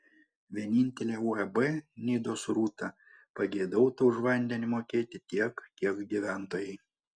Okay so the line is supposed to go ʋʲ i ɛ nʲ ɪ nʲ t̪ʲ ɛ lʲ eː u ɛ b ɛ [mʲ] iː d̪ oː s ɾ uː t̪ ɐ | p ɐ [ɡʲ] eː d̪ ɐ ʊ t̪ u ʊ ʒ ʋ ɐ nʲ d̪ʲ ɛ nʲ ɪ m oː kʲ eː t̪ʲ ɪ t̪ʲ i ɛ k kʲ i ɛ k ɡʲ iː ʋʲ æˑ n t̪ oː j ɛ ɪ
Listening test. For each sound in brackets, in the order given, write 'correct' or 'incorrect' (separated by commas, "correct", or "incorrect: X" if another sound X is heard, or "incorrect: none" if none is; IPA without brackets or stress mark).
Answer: incorrect: nʲ, correct